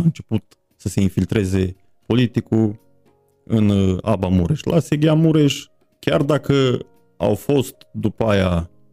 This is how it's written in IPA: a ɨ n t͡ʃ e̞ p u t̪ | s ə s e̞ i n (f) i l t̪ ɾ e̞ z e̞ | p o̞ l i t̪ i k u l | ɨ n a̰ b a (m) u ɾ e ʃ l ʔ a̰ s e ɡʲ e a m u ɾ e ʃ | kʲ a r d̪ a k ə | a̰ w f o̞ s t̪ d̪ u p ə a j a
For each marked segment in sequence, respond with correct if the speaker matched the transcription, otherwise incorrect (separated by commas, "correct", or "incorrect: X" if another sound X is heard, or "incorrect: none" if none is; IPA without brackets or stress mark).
correct, correct